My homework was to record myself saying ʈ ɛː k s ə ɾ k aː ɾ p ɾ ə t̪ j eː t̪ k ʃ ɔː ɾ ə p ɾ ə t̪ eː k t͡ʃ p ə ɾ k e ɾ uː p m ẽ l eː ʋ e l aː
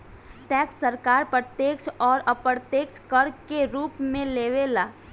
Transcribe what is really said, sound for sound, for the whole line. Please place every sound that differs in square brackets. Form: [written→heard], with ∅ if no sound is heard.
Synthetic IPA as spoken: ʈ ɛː k s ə ɾ k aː ɾ p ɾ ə t̪ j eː [t̪→∅] k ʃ ɔː ɾ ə p ɾ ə t̪ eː k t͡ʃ [p→k] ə ɾ k e ɾ uː p m ẽ l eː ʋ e l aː